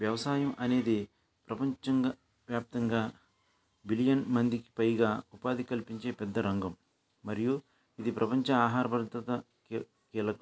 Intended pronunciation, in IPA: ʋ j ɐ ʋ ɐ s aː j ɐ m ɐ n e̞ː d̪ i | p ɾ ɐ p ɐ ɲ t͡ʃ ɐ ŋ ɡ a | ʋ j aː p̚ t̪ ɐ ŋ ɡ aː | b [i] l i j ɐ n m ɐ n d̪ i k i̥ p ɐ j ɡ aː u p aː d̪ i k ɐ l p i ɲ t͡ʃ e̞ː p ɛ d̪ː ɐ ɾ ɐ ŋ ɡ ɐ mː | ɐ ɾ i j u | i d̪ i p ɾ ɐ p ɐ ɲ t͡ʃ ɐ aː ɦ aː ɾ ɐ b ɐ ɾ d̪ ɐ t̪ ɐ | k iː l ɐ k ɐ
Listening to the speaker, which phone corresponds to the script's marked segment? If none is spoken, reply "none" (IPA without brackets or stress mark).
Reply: i